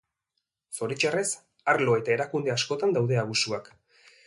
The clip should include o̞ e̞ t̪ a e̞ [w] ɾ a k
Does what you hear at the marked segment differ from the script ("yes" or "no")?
yes